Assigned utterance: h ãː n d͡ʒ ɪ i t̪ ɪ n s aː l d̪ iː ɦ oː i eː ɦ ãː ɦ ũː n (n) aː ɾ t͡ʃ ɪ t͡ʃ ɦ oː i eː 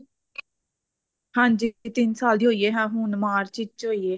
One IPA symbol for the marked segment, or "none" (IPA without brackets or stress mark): m